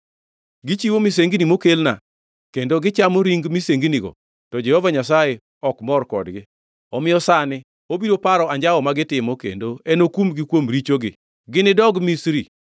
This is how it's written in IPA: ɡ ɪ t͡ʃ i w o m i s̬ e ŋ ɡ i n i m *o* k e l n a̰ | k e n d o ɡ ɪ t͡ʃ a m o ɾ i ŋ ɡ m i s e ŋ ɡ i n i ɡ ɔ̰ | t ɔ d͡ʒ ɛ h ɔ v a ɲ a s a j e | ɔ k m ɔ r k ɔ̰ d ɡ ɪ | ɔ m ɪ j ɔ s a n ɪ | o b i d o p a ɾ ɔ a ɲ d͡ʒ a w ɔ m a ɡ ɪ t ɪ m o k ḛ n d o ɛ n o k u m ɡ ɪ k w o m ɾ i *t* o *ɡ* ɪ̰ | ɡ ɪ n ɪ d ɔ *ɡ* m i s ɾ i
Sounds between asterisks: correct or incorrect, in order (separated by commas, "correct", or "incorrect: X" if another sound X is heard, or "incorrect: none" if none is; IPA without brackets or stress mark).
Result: correct, incorrect: t͡ʃ, correct, correct